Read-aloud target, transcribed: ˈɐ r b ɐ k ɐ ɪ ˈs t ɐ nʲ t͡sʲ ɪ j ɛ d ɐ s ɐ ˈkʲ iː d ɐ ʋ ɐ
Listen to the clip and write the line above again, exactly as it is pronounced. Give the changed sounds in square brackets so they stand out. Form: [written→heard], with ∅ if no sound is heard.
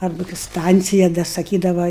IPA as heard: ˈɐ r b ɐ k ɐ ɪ ˈs t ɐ nʲ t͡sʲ ɪ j ɛ d ɐ s ɐ ˈkʲ iː d ɐ ʋ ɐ